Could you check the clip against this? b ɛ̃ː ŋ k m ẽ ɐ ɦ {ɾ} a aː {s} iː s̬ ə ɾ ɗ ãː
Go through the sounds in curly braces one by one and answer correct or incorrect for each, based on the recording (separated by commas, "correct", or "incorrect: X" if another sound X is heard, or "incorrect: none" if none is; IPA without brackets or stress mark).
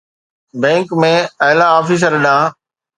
incorrect: l, incorrect: f